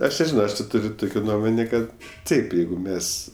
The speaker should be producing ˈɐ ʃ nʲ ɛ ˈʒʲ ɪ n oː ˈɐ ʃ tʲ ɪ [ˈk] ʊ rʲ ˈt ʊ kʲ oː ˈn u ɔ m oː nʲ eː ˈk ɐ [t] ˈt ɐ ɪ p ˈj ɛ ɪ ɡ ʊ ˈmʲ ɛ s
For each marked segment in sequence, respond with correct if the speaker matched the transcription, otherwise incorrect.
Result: incorrect: t, correct

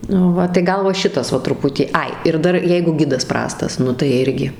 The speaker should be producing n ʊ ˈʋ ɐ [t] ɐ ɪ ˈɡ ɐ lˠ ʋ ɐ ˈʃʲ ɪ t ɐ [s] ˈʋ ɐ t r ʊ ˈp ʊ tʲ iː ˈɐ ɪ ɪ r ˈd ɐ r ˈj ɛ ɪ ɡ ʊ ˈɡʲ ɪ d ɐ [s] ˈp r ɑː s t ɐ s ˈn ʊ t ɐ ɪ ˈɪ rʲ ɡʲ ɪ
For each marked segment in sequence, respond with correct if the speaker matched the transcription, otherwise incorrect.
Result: correct, correct, correct

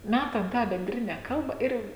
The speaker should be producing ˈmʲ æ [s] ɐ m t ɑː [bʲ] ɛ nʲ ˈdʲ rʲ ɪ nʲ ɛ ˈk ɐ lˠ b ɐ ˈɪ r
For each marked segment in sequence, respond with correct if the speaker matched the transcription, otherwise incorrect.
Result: incorrect: t, correct

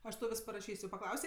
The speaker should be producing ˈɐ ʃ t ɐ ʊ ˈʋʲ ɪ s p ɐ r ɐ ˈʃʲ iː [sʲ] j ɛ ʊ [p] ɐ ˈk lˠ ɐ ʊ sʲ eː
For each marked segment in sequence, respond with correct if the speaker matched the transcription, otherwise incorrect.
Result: correct, correct

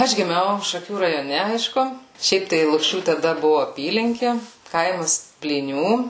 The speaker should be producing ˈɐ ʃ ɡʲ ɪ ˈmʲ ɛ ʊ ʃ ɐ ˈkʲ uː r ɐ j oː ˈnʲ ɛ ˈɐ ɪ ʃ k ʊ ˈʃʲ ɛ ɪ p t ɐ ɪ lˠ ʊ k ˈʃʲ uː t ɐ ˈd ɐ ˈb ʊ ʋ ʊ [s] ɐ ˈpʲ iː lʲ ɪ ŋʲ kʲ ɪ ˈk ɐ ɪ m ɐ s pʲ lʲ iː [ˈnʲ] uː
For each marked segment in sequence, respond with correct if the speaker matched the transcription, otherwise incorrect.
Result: incorrect: none, correct

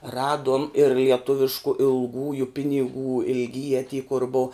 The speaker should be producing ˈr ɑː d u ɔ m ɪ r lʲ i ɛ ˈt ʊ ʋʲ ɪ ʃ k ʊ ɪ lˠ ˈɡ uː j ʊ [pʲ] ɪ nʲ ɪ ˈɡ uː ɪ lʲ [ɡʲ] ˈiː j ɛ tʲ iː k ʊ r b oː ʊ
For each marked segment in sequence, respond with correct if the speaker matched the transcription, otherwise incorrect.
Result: correct, correct

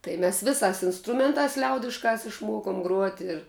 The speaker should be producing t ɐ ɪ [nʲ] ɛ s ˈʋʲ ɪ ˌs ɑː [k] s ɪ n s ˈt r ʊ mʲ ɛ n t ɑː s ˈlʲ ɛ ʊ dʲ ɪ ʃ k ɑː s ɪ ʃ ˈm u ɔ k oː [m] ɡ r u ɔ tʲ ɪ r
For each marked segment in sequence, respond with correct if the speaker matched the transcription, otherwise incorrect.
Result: incorrect: mʲ, incorrect: none, correct

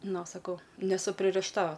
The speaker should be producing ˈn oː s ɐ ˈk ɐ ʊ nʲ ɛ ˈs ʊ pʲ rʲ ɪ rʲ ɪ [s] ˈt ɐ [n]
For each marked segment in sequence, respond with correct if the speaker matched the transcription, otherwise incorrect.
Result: incorrect: ʃ, incorrect: none

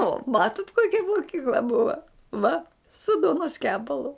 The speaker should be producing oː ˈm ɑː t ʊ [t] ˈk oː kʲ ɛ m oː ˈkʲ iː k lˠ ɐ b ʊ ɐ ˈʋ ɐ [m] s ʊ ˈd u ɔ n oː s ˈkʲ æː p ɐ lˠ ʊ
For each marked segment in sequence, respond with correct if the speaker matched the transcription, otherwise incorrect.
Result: correct, incorrect: none

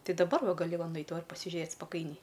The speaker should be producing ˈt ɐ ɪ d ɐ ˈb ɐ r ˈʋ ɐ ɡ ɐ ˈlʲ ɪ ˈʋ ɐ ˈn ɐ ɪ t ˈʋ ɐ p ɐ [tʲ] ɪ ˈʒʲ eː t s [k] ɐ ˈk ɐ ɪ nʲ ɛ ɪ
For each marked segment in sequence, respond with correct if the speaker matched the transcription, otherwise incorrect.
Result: incorrect: sʲ, incorrect: p

